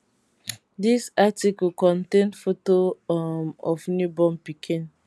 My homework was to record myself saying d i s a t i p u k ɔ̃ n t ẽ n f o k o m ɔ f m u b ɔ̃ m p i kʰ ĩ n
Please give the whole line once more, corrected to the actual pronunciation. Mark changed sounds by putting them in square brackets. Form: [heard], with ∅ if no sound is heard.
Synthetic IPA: d i s a t i [k] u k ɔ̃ n t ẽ n f o [t] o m ɔ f [n] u b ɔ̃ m p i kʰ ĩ n

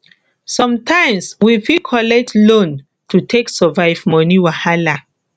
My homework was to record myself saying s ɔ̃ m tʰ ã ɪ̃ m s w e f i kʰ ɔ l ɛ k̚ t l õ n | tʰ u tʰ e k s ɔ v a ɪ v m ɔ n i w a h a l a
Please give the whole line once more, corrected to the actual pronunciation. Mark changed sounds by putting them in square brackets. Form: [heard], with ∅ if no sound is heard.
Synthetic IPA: s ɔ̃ m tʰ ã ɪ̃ m s w [i] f i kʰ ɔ l ɛ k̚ t l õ n | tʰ u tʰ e k s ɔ v a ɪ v m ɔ n i w a h a l a

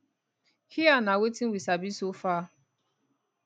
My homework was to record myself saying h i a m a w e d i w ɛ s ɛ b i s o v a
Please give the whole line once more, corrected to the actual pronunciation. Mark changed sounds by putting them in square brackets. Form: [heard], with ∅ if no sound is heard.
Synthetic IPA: h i a [n] a w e [t] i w [i] s [a] b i s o [f] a

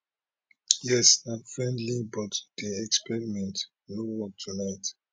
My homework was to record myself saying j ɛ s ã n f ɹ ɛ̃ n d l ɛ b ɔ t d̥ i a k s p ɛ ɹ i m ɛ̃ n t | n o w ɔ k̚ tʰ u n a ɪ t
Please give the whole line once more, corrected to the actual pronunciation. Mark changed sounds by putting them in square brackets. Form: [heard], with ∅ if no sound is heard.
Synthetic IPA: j ɛ s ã n f ɹ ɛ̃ n d l [i] b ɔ t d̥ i [ɛ] k s p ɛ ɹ i m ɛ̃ n t | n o w ɔ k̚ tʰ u n a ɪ t

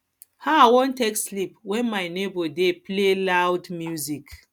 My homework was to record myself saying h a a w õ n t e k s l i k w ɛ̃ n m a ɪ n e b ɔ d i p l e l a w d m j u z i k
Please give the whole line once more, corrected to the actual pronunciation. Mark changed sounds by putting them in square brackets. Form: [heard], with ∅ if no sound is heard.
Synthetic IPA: h a a w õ n t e k s l i [p] w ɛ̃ n m a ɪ n e b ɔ d [e] p l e l a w d m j u z i k

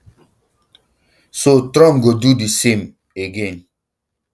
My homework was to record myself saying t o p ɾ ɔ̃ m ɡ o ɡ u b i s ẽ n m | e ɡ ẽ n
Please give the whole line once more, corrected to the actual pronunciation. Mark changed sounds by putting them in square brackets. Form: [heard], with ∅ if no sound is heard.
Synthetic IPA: [s] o [t] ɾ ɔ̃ m ɡ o [d] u [d] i s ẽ [∅] m | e ɡ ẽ n

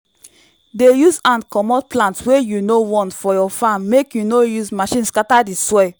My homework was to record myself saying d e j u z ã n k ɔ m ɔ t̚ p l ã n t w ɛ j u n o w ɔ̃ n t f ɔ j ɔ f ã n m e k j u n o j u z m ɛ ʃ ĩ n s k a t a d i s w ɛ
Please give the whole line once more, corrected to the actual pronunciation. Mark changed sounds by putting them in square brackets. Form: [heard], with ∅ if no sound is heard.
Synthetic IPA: d e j u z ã n k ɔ m ɔ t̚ p l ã n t w [e] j u n o w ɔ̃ n t f ɔ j ɔ f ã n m e k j u n o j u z m [a] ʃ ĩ n s k a t a d i s w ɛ

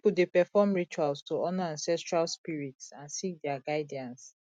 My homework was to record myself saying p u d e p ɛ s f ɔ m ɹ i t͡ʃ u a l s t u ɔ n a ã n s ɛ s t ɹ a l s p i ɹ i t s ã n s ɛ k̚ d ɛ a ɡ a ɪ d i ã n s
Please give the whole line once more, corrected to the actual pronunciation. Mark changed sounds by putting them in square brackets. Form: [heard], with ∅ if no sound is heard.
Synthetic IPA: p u d e p ɛ [∅] f ɔ m ɹ i t͡ʃ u a l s t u ɔ n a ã n s ɛ s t ɹ a l s p i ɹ i t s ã n s [i] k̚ d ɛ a ɡ a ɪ d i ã n s

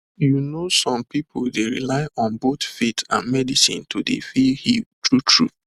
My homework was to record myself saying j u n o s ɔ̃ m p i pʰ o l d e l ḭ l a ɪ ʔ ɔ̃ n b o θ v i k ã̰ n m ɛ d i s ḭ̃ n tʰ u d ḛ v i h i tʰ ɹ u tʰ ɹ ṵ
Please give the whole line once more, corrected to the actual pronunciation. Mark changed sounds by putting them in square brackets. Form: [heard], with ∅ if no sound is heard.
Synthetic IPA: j u n o s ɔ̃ m p i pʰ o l d e [ɹ] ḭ l a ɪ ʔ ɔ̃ n b o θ [f] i [t] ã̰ n m ɛ d i s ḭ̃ n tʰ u d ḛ [f] i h i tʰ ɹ u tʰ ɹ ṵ

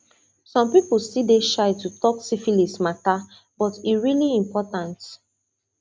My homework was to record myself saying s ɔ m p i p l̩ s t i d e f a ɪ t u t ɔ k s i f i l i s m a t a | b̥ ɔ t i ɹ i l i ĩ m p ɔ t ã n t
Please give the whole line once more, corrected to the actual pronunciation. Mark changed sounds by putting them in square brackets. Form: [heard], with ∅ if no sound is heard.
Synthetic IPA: s [ɔ̃] m p i p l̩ s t i d e [ʃ] a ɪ t u t ɔ k s i f i l i s m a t a | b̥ ɔ t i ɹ i l i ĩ m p ɔ t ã n t

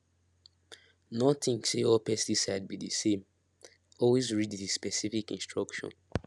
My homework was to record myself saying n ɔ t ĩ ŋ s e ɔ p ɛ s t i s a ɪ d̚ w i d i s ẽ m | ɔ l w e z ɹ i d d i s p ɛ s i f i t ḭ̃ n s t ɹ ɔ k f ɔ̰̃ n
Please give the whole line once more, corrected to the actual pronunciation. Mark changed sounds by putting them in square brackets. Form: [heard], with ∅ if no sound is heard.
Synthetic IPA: n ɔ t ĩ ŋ s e ɔ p ɛ s t i s a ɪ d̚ [b] i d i s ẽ m | ɔ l w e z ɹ i d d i s p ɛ s i f i [k] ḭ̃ n s t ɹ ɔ k [ʃ] ɔ̰̃ n

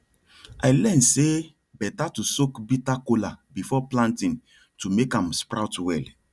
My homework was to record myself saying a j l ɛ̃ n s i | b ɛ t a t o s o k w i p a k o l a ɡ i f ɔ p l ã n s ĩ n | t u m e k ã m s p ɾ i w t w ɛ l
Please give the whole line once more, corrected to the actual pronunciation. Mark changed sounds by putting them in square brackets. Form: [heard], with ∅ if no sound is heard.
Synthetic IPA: a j l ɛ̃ n s [e] | b ɛ t a t [u] s o k [b] i [t] a k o l a [b] i f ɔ p l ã n [t] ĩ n | t u m e k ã m s p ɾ [a] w t w ɛ l

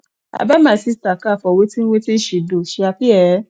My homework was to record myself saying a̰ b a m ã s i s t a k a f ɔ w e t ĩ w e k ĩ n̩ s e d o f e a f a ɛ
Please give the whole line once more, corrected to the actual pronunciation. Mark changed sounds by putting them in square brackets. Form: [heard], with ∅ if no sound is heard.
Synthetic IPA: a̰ b a m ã s i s t a k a f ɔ w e t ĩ w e [t] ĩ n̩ [ʃ] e d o [ʃ] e a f [i] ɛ

